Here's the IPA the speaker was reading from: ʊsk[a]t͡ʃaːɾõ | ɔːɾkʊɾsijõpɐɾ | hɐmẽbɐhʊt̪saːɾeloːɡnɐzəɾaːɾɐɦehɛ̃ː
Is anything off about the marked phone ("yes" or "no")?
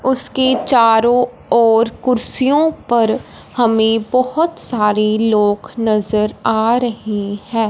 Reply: yes